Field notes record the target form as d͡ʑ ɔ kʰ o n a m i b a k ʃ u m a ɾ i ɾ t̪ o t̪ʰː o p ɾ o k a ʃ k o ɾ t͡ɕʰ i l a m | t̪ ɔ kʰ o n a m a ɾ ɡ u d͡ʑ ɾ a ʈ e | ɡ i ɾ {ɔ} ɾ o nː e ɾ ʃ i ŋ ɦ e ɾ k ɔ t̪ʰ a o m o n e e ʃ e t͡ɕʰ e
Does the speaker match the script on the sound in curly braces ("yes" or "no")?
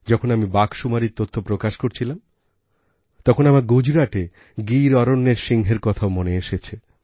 yes